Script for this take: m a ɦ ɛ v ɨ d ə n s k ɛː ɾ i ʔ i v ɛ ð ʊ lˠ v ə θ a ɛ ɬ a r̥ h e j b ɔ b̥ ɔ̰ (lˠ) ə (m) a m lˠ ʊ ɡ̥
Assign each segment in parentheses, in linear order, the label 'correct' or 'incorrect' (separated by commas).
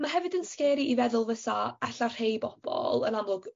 correct, incorrect